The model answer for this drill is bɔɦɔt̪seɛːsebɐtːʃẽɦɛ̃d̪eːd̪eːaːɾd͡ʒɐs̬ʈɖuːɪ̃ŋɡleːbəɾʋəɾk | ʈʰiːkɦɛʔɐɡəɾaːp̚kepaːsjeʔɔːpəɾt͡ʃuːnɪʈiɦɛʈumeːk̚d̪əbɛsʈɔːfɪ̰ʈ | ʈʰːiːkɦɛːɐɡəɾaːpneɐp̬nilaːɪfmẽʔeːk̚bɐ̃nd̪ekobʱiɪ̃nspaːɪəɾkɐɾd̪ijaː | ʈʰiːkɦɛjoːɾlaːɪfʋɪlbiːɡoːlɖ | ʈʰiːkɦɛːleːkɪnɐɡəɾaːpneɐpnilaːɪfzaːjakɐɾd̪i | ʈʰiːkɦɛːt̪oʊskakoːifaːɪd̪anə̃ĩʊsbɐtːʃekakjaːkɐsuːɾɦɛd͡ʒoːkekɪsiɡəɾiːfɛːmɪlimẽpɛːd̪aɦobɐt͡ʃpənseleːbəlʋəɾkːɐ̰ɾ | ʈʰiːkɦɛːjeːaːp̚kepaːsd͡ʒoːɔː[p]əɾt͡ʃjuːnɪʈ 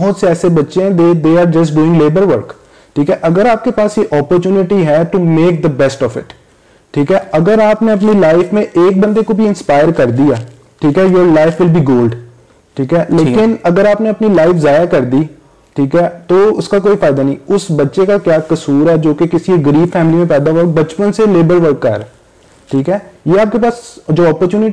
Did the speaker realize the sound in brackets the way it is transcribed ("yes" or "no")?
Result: yes